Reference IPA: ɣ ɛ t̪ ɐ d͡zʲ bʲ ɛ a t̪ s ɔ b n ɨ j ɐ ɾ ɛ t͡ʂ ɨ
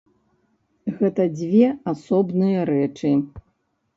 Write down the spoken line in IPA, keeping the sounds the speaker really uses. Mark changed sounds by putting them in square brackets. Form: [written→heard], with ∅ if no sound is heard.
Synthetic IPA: ɣ ɛ t̪ ɐ d͡zʲ [bʲ→vʲ] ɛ a [t̪→∅] s ɔ b n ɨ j ɐ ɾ ɛ t͡ʂ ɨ